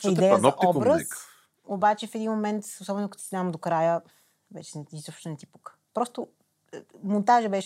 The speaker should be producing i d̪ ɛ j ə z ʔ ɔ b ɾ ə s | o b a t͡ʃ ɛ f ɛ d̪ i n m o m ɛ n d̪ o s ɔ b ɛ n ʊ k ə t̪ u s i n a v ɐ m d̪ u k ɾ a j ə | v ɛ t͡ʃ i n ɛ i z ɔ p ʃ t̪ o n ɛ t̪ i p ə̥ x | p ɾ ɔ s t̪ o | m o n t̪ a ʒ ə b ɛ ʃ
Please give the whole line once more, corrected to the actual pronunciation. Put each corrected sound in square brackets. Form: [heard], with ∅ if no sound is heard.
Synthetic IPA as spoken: i d̪ ɛ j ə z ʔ ɔ b ɾ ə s | o b a t͡ʃ ɛ f ɛ d̪ i n m o m ɛ n [t̪] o s ɔ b ɛ n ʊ k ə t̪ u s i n a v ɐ m d̪ [o] k ɾ a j ə | v ɛ t͡ʃ [ɛ] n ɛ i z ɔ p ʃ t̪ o n ɛ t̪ i p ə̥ [k] | p ɾ ɔ s t̪ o | m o n t̪ a ʒ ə b ɛ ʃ